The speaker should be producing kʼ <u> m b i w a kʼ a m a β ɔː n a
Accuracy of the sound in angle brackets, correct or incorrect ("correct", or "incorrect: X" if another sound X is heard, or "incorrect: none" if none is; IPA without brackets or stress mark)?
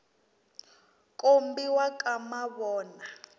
incorrect: o